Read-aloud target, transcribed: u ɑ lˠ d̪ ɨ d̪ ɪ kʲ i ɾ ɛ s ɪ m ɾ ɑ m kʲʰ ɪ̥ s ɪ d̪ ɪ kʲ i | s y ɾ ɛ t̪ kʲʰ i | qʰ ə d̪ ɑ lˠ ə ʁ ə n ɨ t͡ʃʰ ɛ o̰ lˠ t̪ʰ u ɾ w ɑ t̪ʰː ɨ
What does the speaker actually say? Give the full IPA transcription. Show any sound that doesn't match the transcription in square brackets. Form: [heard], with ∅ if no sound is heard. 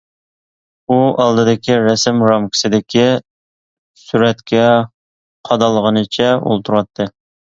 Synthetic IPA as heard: u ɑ lˠ d̪ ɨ d̪ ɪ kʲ i ɾ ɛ s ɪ m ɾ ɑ m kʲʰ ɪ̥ s ɪ d̪ ɪ kʲ i | s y ɾ ɛ t̪ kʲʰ [ɛ] | qʰ [ɑ] d̪ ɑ lˠ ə ʁ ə n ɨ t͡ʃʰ ɛ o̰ lˠ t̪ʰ u ɾ w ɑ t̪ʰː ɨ